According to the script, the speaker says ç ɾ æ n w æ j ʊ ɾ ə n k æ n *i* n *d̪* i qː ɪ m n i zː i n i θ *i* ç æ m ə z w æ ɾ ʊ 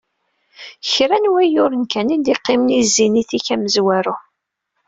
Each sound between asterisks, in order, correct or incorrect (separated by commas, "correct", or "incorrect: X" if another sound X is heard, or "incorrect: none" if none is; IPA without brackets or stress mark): correct, correct, correct